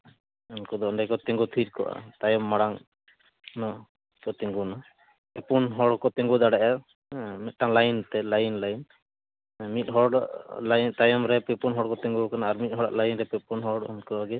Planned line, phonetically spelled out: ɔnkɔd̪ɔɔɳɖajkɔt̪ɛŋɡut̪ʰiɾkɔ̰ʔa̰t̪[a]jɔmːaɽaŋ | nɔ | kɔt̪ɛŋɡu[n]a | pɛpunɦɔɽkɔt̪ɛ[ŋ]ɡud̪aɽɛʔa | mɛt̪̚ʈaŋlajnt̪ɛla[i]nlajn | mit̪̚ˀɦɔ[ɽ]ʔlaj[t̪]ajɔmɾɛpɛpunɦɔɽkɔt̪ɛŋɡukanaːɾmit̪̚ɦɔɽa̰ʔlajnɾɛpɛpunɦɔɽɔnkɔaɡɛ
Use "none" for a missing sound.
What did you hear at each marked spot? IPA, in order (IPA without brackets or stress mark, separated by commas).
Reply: a, n, ŋ, j, ɽ, t̪